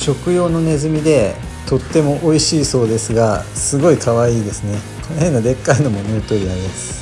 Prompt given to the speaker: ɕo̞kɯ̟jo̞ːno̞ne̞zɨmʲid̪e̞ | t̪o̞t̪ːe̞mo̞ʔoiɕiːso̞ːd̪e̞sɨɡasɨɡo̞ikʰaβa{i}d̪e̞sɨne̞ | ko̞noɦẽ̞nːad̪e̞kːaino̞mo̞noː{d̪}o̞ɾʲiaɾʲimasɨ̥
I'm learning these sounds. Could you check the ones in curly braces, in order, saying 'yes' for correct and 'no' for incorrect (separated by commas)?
no, no